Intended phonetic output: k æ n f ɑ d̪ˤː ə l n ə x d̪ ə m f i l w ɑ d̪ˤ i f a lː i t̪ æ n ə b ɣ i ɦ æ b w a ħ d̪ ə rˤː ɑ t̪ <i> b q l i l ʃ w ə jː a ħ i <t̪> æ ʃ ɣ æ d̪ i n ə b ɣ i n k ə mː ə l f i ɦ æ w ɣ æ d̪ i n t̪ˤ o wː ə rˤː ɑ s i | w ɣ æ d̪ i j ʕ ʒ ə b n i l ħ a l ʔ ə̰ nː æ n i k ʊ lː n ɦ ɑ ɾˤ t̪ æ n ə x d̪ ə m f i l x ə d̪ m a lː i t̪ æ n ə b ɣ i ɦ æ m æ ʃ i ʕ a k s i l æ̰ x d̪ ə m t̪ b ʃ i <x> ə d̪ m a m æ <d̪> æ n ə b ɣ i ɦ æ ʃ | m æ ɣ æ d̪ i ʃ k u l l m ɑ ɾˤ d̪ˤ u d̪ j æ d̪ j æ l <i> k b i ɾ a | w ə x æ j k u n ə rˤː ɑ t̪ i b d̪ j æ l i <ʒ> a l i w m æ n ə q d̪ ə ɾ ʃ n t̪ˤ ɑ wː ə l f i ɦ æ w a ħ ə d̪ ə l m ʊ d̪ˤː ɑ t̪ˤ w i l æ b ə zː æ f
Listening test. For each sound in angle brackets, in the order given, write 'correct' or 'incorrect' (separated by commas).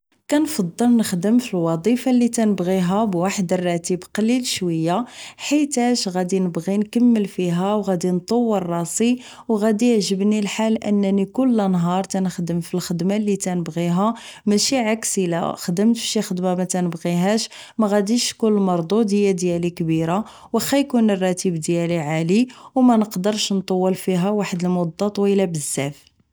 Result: correct, correct, correct, incorrect, correct, incorrect